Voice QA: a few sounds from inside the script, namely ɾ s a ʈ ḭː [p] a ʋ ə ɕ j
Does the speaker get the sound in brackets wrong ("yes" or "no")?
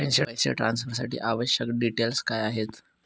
yes